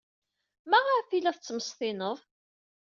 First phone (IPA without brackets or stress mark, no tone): m